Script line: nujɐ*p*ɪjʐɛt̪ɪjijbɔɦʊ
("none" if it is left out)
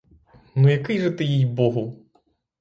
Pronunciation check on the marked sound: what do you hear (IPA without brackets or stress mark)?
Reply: k